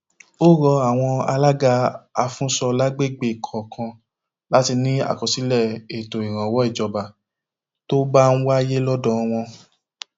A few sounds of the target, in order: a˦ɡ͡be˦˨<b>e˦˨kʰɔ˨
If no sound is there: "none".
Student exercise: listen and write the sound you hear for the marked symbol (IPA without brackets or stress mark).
ɡ͡b